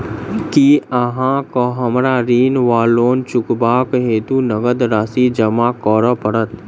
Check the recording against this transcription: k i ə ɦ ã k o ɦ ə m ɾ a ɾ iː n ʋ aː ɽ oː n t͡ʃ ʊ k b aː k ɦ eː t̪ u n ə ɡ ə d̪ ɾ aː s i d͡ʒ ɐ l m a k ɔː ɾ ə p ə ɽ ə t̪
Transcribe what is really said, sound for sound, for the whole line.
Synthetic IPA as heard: k i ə ɦ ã k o ɦ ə m ɾ a ɾ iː n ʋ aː l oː n t͡ʃ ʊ k b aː k ɦ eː t̪ u n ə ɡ ə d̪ ɾ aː s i d͡ʒ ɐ m a k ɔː ɾ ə p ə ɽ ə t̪